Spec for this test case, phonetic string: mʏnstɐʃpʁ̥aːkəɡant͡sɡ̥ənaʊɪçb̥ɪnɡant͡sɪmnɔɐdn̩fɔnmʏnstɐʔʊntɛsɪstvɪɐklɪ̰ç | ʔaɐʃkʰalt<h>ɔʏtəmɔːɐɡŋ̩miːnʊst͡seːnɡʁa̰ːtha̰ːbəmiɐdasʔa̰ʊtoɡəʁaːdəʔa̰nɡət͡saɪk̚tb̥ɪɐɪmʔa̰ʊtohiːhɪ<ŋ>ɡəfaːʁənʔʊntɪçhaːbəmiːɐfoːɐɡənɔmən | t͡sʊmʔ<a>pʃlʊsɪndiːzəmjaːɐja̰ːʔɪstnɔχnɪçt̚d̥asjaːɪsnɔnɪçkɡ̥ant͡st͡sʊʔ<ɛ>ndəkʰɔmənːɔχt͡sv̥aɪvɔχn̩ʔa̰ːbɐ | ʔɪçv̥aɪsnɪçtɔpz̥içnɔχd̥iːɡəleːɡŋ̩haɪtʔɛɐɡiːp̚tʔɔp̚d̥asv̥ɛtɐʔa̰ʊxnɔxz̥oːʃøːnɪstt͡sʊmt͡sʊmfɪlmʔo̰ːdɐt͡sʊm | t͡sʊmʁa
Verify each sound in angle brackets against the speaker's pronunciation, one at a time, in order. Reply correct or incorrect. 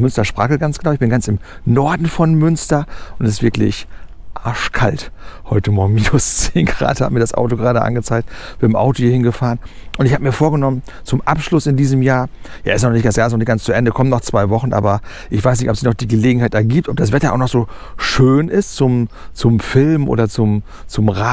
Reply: correct, incorrect, correct, correct

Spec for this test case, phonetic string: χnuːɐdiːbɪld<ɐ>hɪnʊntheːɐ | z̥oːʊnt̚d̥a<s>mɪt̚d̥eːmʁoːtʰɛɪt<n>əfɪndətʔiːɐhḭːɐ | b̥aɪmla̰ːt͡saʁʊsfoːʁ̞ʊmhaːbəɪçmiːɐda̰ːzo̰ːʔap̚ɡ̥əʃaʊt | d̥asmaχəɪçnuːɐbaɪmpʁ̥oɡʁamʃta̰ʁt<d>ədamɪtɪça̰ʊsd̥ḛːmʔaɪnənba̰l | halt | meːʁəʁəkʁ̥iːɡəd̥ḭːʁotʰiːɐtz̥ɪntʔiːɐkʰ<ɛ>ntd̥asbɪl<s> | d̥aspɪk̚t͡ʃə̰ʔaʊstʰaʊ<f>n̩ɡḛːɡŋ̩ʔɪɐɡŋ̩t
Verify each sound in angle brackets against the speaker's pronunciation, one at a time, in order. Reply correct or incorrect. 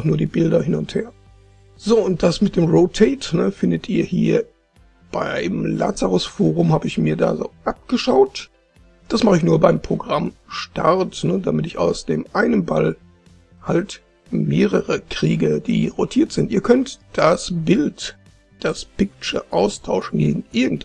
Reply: correct, correct, correct, incorrect, incorrect, incorrect, incorrect

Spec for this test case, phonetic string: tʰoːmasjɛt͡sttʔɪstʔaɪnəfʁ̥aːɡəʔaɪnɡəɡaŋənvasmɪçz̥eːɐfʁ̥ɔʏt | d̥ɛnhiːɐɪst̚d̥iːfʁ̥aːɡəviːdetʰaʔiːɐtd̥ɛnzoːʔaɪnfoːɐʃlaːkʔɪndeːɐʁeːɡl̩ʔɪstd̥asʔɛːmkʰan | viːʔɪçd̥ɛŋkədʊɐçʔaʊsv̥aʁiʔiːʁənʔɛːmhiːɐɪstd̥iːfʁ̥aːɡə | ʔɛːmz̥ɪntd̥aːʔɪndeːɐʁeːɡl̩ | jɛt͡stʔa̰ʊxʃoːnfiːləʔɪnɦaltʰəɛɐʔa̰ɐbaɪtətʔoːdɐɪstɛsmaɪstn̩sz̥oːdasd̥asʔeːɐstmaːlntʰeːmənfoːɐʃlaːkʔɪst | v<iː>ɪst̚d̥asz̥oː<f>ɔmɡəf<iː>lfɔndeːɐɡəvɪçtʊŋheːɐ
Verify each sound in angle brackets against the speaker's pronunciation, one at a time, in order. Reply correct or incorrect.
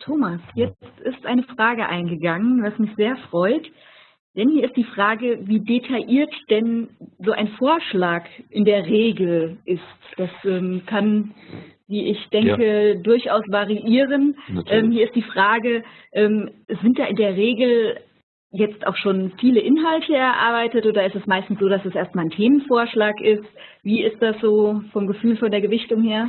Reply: correct, correct, incorrect

